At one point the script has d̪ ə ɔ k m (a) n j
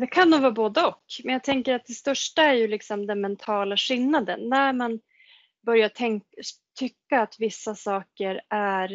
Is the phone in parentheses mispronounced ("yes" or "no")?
yes